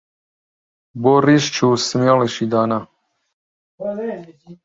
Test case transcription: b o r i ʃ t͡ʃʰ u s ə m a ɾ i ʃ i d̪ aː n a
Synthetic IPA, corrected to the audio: b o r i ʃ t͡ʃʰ u s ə m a l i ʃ i d̪ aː n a